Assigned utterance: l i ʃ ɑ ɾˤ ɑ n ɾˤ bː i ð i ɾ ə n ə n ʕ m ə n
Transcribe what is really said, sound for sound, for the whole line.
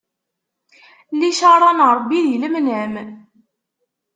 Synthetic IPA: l i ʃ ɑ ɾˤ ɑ n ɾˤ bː i ð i l ə m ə n ʕ m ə n